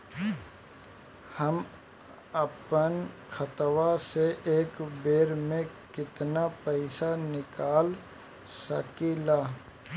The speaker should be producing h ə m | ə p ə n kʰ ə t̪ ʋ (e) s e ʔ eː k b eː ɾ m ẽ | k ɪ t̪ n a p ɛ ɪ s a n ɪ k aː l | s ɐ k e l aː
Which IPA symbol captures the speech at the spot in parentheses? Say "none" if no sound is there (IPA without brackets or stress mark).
a